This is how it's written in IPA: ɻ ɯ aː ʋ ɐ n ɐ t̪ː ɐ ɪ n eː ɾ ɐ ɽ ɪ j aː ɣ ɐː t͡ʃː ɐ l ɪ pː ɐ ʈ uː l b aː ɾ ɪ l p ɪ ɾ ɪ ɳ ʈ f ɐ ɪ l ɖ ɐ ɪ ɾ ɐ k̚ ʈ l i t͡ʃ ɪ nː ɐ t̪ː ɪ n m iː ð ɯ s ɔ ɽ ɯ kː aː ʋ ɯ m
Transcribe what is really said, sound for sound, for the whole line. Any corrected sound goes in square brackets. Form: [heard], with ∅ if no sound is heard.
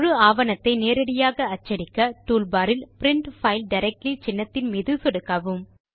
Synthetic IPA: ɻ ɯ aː ʋ ɐ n ɐ t̪ː ɐ ɪ n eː ɾ ɐ ɽ ɪ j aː ɣ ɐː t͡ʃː ɐ [ɽ] ɪ [kː] ɐ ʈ uː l b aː ɾ ɪ l p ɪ ɾ ɪ ɳ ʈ f ɐ ɪ l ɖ ɐ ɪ ɾ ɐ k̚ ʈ l i t͡ʃ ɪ nː ɐ t̪ː ɪ n m iː ð ɯ s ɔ ɽ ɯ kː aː ʋ ɯ m